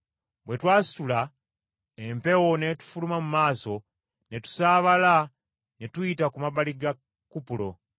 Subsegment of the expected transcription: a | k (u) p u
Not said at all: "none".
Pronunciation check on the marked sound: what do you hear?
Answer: u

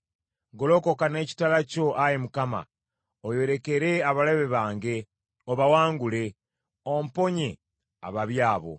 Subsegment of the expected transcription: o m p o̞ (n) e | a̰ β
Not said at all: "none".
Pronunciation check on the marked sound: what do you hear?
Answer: ɲ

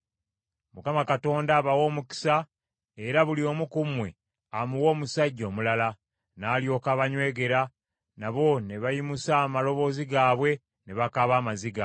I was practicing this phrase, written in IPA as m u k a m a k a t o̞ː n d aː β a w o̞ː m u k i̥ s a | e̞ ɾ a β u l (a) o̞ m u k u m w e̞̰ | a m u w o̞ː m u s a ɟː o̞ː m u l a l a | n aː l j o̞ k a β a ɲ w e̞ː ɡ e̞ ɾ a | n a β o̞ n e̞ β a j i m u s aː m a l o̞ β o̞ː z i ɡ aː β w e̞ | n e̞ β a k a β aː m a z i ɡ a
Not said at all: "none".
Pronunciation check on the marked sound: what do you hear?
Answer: i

